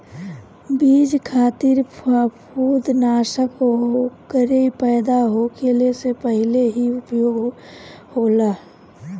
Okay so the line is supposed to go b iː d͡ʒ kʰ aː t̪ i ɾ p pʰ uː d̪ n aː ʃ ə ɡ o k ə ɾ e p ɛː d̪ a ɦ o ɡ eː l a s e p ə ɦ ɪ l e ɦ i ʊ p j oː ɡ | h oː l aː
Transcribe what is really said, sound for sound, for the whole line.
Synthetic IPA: b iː d͡ʒ kʰ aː t̪ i ɾ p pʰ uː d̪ n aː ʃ ə k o k ə ɾ e p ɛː d̪ a ɦ o k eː l e s e p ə ɦ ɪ l e ɦ i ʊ p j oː ɡ | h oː l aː